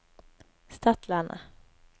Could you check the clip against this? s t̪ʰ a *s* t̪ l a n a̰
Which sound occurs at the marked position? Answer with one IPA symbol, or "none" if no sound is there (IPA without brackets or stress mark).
none